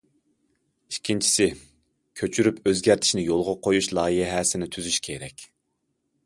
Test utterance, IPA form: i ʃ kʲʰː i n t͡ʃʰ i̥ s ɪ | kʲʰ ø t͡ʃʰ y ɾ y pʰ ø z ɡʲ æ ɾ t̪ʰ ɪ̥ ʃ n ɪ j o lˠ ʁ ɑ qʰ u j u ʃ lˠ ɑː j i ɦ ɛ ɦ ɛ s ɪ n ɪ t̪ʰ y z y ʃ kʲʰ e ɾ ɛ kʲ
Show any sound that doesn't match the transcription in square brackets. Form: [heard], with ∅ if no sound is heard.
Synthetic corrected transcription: i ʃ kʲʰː i n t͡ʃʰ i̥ s ɪ | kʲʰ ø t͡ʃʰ y ɾ y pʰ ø z ɡʲ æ ɾ t̪ʰ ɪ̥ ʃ n ɪ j o lˠ ʁ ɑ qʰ [o] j u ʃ lˠ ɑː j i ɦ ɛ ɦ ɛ s ɪ n ɪ t̪ʰ y z y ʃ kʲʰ e ɾ ɛ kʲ